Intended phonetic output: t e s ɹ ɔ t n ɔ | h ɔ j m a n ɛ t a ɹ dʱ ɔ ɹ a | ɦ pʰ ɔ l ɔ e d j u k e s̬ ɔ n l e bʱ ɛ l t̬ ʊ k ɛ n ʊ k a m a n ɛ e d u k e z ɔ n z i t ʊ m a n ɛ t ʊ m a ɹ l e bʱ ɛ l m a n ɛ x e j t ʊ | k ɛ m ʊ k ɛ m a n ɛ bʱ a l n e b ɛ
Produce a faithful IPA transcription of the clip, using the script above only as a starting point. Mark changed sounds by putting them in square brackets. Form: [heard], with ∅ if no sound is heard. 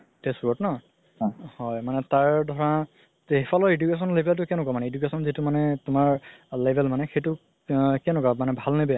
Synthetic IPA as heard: t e s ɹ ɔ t n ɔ | h ɔ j m a n ɛ t a ɹ dʱ ɔ ɹ a | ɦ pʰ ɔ l ɔ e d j u k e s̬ ɔ n l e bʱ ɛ l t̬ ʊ k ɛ n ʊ k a m a n ɛ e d u k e [s] ɔ n z i t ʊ m a n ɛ t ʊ m a ɹ l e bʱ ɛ l m a n ɛ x e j t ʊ | k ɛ [n] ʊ k [a] m a n ɛ bʱ a l n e b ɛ